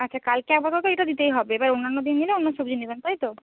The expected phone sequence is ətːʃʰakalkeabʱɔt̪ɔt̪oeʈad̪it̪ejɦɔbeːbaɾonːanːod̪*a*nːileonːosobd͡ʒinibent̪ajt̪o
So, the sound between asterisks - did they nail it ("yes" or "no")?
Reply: no